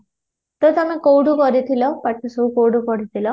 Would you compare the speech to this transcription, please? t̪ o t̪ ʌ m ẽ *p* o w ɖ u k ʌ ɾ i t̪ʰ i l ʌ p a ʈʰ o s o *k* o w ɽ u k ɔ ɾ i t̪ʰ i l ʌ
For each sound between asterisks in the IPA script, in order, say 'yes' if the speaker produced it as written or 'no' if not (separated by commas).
no, yes